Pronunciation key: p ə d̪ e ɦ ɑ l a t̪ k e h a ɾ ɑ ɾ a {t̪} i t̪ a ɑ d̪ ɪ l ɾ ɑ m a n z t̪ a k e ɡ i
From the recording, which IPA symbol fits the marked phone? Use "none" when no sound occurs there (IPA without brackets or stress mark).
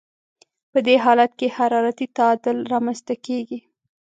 t̪